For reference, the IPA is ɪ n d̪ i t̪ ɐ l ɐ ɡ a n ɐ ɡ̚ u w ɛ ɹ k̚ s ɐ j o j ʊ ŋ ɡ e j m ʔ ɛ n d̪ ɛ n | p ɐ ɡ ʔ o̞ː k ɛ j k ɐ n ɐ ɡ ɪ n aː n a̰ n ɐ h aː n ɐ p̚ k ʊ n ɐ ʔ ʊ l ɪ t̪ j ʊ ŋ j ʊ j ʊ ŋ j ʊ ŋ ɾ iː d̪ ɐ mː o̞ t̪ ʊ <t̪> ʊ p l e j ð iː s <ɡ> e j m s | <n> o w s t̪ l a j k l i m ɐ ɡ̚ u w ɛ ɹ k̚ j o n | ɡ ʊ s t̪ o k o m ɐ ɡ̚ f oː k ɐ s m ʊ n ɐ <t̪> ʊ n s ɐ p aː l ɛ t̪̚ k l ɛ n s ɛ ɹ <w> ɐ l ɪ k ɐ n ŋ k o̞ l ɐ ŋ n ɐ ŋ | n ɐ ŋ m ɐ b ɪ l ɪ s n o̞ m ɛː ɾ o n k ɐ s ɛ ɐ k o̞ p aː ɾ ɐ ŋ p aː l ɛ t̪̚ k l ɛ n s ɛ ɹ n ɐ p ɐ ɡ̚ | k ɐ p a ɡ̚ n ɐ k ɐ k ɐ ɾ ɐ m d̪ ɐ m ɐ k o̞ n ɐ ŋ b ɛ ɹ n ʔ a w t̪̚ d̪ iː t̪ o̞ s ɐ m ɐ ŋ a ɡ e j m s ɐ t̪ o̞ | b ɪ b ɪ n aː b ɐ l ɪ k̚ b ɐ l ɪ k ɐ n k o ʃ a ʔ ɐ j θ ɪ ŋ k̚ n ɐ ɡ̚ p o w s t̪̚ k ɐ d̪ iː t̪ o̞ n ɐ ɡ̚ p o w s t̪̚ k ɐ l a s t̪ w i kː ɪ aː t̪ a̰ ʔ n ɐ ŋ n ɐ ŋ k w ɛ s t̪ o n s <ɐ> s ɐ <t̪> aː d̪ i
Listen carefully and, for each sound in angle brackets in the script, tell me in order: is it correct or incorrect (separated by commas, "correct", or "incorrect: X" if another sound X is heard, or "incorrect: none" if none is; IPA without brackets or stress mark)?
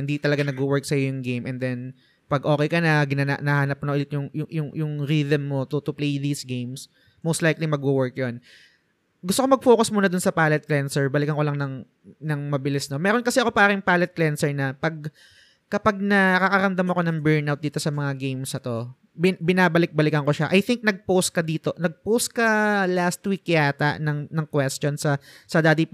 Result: correct, correct, incorrect: m, incorrect: d̪, incorrect: b, correct, incorrect: d̪